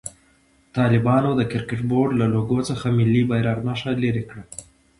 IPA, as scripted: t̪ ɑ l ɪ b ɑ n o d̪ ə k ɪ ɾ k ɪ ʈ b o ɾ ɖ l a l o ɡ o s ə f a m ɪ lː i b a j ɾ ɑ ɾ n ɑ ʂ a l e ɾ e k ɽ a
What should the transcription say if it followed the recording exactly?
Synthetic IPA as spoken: t̪ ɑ l ɪ b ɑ n o d̪ ə k ɪ ɾ k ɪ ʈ b o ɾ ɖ l a l o ɡ o t͡s ə x a m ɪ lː i b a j ɾ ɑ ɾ n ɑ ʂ a l e ɾ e k ɽ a